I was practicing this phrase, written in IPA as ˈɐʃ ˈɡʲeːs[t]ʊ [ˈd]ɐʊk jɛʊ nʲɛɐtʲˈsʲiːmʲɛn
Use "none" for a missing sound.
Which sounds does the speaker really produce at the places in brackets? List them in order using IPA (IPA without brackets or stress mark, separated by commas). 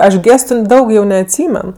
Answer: t, d